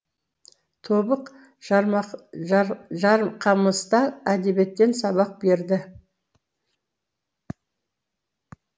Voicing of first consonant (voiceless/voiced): voiceless